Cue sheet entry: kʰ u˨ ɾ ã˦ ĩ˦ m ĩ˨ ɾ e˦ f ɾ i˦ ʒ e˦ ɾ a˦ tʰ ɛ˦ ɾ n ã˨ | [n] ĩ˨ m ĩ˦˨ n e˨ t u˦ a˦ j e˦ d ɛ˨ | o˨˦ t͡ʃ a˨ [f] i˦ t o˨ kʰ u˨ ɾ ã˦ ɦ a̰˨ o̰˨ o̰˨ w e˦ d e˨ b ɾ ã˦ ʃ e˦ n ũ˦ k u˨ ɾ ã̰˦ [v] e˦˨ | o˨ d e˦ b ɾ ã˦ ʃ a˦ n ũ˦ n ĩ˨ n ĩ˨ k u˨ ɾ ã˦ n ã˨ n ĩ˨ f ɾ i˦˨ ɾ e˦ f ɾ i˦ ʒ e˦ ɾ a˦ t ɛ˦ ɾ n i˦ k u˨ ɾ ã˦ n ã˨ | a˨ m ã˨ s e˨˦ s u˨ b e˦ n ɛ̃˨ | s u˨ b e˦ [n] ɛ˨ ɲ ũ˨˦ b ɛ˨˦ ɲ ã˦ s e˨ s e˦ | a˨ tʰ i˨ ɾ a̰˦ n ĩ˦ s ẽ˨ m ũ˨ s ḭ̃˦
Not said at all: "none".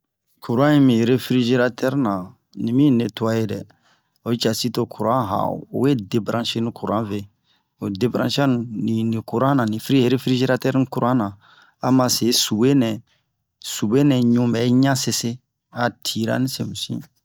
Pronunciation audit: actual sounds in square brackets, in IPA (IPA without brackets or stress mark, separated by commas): n, s, v, n